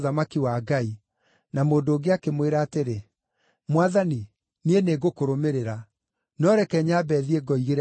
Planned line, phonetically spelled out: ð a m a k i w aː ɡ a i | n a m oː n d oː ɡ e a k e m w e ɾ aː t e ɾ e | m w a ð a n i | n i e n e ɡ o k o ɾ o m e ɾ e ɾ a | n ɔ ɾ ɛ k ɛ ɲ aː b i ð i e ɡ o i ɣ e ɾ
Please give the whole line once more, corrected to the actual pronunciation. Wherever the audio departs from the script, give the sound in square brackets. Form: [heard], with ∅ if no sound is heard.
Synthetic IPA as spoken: ð a m a k i w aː ɡ a i | n a m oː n d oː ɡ e a k e m w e ɾ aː t e ɾ e | m w a ð a n i | n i e n e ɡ o k o ɾ o m e ɾ e ɾ a | n ɔ ɾ ɛ k ɛ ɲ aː b [ɛ] ð i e ɡ [ɔ] i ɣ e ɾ

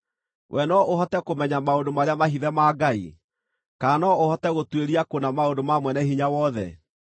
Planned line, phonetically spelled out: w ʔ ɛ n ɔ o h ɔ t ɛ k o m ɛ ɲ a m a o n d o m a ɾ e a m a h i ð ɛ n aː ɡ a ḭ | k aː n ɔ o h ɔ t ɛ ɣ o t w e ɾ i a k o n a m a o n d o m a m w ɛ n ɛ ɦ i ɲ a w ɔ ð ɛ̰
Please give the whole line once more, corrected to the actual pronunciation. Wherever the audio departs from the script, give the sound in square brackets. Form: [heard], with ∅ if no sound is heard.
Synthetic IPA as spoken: w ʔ ɛ n ɔ o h ɔ t ɛ k o m ɛ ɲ a m a o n d o m a ɾ e a m a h i ð ɛ [m] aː ɡ a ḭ | k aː n ɔ o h ɔ t ɛ ɣ o t w e ɾ i a k o n a m a o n d o m a m w ɛ n ɛ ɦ i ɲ a w ɔ ð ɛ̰

